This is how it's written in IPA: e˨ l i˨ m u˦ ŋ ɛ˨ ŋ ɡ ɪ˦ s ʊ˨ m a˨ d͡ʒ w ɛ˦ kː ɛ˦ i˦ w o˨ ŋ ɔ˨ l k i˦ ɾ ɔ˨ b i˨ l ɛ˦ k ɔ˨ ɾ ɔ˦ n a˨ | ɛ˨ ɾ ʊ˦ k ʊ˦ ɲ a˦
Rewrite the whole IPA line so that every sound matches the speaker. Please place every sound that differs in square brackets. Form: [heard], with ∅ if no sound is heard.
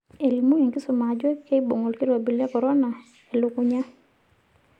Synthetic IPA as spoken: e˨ l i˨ m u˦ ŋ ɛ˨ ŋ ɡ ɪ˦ s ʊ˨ m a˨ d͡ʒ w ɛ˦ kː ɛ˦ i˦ [b] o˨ ŋ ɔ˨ l k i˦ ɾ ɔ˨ b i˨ l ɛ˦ k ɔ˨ ɾ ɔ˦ n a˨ | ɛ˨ [l] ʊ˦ k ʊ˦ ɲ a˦